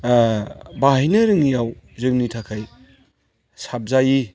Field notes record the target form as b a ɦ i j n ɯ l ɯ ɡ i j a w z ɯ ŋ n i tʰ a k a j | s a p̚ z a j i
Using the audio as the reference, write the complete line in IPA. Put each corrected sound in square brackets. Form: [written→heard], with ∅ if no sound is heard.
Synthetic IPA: b a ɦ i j n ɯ [l→ɾ] ɯ [ɡ→ŋ] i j a w z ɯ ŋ n i tʰ a [k→kʰ] a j | s a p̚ z a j i